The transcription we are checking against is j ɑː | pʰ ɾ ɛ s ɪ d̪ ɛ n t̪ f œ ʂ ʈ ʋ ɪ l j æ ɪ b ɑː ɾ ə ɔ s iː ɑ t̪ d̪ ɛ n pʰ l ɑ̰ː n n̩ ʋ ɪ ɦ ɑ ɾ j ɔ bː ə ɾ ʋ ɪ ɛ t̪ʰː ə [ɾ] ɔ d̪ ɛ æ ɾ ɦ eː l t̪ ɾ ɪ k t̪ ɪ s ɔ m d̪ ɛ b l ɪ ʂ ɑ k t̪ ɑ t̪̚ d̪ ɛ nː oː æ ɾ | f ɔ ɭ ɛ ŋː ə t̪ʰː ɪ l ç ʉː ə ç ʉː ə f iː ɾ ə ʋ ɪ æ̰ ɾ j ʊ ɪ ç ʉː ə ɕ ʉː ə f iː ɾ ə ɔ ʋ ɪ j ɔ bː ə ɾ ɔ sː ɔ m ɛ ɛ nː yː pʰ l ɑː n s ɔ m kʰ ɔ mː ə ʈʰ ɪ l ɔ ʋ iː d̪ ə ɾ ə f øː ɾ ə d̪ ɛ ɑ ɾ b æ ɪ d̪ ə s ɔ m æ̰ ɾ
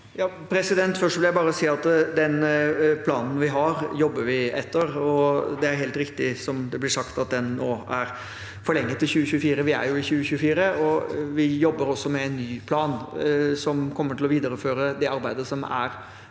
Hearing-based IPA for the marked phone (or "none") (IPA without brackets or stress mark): ɾ